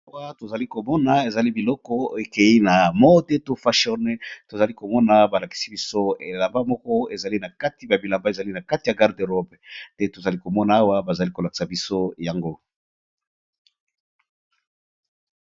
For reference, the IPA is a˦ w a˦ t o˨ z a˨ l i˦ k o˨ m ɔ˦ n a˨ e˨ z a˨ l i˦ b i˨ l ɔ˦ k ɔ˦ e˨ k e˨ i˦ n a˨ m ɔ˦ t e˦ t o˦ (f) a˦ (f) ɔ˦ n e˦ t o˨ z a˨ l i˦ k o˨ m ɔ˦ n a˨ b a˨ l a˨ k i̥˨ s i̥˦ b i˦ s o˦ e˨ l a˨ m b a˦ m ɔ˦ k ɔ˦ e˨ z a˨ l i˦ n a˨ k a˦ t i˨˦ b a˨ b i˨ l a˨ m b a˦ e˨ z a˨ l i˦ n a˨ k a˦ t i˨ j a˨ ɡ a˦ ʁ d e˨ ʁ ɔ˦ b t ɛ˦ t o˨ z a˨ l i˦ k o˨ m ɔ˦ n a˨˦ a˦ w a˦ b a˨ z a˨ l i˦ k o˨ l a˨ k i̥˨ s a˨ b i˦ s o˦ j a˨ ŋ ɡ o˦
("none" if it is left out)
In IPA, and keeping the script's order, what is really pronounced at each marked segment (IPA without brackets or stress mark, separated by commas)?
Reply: f, ʃ